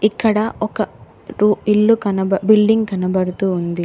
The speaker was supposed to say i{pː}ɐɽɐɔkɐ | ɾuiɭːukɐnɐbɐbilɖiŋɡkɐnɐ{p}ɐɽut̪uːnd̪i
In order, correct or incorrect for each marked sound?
incorrect: kː, incorrect: b

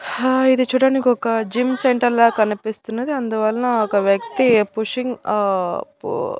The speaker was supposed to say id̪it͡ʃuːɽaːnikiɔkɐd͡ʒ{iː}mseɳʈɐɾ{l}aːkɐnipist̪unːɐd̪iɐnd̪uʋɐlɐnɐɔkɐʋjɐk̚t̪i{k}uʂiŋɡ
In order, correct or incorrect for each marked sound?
incorrect: i, correct, incorrect: p

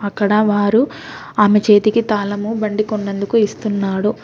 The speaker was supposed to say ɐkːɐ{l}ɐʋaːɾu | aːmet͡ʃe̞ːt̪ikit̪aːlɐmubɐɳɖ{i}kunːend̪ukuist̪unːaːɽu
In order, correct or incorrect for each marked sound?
incorrect: ɽ, correct

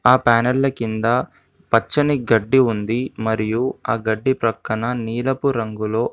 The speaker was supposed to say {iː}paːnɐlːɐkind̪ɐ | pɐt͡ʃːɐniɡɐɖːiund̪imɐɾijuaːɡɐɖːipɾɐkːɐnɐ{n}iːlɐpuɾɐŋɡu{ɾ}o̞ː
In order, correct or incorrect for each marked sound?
incorrect: aː, correct, incorrect: l

